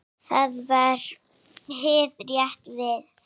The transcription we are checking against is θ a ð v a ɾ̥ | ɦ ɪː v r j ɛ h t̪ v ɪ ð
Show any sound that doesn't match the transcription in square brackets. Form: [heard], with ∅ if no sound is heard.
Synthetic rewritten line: θ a ð v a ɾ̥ | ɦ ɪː [ð] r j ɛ h t̪ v ɪ ð